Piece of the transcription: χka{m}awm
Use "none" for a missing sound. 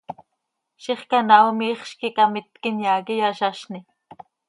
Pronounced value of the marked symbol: n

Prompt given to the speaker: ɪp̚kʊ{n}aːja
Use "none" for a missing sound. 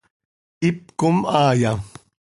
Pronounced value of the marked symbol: m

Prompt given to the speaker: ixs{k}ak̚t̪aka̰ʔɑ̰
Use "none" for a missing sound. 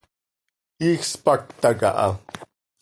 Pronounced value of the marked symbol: p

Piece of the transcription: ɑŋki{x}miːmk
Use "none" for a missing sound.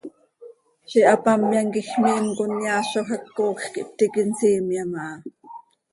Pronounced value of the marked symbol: x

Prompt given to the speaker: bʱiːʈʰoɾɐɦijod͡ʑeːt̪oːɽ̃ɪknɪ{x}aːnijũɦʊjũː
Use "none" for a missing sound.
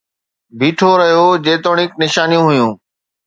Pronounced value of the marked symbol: ʃ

